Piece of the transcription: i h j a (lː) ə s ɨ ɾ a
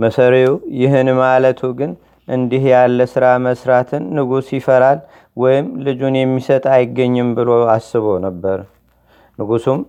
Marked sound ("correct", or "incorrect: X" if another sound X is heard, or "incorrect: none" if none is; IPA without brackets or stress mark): correct